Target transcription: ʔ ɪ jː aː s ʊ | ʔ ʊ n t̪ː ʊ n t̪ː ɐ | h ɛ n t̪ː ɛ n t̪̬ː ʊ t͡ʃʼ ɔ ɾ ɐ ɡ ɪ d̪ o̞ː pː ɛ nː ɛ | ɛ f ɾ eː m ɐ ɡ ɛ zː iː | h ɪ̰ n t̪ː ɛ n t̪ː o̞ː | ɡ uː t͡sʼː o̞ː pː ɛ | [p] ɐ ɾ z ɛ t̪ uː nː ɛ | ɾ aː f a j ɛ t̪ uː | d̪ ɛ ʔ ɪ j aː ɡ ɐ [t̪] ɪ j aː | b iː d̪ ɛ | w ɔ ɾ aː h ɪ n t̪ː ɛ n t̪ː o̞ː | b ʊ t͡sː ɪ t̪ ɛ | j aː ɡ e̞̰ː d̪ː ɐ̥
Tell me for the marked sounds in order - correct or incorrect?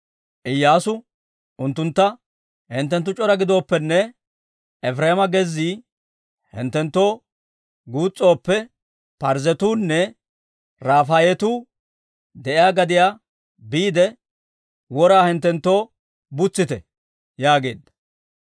correct, incorrect

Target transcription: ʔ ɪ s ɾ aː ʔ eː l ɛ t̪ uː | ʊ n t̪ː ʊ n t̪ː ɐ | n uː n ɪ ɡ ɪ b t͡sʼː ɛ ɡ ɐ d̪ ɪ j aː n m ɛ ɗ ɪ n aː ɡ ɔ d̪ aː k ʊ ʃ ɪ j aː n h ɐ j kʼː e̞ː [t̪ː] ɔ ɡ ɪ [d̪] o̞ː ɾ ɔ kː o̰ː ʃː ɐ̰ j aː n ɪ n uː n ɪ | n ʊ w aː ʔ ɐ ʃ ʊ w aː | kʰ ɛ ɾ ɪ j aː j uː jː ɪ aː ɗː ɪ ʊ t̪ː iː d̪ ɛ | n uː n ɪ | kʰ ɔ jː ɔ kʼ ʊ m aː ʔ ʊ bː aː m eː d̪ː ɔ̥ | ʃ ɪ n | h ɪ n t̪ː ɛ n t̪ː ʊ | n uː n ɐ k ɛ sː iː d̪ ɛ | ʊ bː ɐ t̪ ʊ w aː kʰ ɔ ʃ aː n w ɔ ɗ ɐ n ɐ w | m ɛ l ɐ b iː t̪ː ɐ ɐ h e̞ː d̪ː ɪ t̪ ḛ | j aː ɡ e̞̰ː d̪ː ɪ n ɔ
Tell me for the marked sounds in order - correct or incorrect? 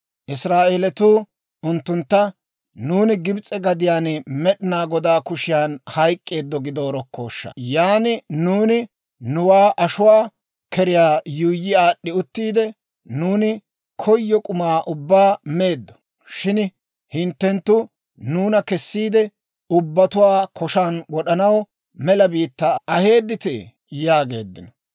incorrect, correct

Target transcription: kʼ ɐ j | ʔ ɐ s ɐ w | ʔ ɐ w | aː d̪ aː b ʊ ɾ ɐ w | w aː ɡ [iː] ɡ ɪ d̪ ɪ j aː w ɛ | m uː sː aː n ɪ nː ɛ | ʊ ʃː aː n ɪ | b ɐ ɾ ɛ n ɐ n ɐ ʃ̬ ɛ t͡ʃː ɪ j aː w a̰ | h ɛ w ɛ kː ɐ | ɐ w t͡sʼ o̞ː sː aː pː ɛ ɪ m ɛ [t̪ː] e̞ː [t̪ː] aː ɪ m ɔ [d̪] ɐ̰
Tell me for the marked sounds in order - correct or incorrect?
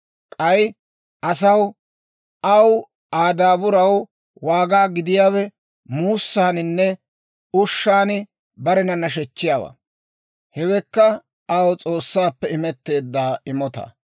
incorrect, correct, incorrect, incorrect

